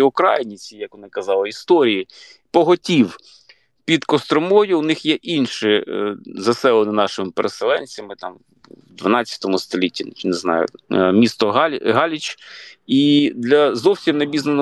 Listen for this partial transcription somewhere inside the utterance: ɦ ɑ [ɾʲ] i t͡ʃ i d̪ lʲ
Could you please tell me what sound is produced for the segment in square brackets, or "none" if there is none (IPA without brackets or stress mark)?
lʲ